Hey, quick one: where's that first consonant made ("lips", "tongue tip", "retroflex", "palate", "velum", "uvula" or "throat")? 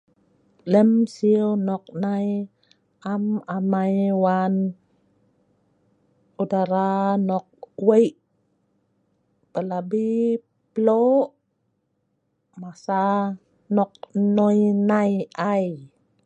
tongue tip